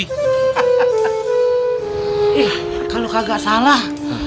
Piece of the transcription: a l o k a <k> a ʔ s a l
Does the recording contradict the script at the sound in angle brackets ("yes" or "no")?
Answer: yes